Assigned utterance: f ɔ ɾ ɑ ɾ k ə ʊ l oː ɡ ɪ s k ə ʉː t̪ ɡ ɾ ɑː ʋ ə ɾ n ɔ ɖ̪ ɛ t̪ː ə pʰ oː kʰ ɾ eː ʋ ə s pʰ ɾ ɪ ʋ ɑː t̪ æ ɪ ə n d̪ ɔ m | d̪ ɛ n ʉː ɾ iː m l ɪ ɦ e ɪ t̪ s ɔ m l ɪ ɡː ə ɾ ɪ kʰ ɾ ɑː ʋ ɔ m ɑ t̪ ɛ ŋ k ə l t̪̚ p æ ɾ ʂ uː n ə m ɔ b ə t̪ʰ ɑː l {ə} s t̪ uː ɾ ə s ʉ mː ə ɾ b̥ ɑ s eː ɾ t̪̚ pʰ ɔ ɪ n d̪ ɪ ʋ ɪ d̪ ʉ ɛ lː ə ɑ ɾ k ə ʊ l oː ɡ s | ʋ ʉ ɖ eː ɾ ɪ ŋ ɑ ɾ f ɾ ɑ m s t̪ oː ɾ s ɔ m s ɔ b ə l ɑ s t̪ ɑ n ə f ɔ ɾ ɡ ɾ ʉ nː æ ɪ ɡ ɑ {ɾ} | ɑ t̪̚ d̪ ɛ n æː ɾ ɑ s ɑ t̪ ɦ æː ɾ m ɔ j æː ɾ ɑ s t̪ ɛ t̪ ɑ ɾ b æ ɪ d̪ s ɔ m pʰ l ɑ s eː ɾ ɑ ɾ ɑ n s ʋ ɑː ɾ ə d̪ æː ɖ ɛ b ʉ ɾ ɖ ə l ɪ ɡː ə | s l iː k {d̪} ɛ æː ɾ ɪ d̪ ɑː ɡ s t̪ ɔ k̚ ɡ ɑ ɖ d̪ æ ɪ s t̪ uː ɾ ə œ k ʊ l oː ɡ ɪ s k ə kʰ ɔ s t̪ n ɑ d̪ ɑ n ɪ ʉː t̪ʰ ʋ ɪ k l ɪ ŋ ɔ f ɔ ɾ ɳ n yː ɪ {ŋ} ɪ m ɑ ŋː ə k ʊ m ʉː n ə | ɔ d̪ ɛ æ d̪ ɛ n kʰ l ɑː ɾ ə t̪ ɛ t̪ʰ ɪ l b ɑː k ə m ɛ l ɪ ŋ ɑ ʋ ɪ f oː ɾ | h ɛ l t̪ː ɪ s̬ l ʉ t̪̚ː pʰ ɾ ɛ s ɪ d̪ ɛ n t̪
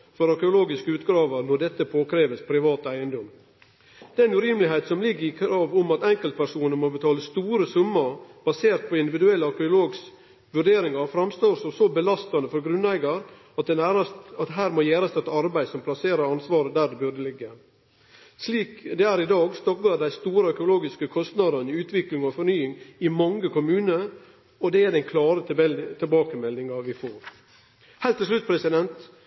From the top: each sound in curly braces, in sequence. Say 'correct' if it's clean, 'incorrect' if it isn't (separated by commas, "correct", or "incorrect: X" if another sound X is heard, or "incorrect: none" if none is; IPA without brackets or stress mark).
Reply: correct, correct, correct, correct